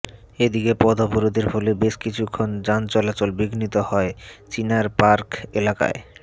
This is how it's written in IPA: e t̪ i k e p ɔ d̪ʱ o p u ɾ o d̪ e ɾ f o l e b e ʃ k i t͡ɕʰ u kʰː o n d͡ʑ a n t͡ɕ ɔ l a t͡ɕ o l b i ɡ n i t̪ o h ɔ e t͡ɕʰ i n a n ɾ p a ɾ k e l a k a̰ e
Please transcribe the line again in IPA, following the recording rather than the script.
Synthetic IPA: e d̪ i k e p ɔ d̪ʱ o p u ɾ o d̪ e ɾ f o l e b e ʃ k i t͡ɕʰ u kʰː o n d͡ʑ a n t͡ɕ ɔ l a t͡ɕ o l b i ɡ n i t̪ o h ɔ e t͡ɕ i n a ɾ p a ɾ k e l a k a̰ e